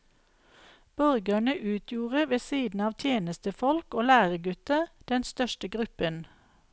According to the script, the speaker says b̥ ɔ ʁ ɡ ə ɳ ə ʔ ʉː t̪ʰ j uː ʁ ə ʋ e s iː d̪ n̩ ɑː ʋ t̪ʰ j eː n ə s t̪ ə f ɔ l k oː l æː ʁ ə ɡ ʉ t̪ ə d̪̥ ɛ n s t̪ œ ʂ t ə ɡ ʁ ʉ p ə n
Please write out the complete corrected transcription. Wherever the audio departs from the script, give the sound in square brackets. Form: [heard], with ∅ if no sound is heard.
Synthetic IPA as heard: b̥ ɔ ʁ ɡ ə ɳ ə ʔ ʉː t̪ʰ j uː ʁ ə ʋ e s iː d̪ n̩ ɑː ʋ t̪ʰ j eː n ə s t̪ ə f ɔ l k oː l æː ʁ ə ɡ ʉ t̪ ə d̪̥ ɛ n s t̪ œ [ʃ] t ə ɡ ʁ ʉ p ə n